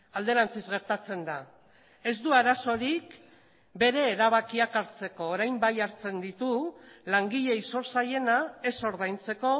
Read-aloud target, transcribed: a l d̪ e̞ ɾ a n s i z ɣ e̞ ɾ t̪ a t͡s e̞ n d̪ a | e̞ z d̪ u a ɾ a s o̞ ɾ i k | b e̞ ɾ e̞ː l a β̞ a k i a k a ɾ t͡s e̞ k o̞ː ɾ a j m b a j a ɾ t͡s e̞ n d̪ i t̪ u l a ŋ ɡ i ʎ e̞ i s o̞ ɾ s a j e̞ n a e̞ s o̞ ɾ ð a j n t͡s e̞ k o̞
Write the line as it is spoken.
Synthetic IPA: a l d̪ e̞ ɾ a n t͡s i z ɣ e̞ ɾ t̪ a t͡s e̞ n d̪ a | e̞ z d̪ u a ɾ a s o̞ ɾ i k | b e̞ ɾ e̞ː ɾ a β̞ a k i a k a ɾ t͡s e̞ k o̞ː ɾ a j m b a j a ɾ t͡s e̞ n d̪ i t̪ u l a ŋ ɡ i ʎ e̞ i s o̞ ɾ s a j e̞ n a e̞ s o̞ ɾ ð a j n t͡s e̞ k o̞